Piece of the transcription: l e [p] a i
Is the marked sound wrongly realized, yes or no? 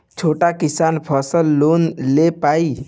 no